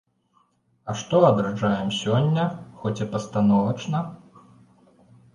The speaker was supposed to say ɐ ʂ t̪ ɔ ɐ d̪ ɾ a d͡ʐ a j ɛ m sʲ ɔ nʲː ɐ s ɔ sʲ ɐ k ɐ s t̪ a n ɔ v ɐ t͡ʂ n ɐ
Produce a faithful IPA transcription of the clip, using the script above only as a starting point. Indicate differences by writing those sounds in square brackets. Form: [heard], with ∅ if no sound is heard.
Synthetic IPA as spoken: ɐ ʂ t̪ ɔ ɐ d̪ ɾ a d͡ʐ a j ɛ m sʲ ɔ nʲː ɐ [x] ɔ [t͡sʲ] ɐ [p] ɐ s t̪ a n ɔ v ɐ t͡ʂ n ɐ